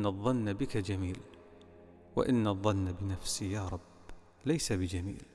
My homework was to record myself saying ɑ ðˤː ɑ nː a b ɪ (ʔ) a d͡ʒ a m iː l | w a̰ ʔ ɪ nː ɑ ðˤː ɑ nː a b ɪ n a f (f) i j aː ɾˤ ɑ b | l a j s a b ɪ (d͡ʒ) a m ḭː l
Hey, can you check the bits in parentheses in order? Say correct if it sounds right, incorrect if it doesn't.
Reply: incorrect, incorrect, correct

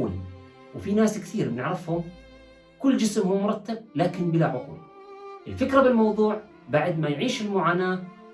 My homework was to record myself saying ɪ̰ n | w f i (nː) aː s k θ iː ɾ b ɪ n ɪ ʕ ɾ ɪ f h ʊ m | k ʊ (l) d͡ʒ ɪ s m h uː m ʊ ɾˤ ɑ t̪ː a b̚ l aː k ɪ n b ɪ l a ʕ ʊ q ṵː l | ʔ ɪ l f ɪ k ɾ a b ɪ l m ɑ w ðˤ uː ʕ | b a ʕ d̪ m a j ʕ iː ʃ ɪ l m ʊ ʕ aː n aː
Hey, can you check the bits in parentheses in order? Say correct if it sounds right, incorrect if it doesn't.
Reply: incorrect, incorrect

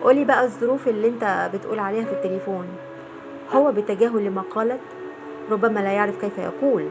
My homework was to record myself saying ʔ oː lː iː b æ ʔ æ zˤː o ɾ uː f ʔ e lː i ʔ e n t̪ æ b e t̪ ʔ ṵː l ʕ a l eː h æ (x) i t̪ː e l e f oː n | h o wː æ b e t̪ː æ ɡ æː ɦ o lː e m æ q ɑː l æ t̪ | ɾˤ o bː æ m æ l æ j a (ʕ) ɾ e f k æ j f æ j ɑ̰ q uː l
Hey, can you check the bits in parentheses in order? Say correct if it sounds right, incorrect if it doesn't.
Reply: incorrect, correct

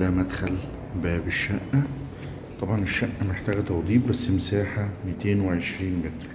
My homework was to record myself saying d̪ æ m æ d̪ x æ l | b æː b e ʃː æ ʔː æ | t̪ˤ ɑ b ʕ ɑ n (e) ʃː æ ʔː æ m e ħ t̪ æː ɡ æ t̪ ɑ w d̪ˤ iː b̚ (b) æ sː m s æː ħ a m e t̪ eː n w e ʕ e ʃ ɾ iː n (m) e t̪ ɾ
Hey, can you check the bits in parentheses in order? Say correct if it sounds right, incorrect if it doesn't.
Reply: correct, correct, correct

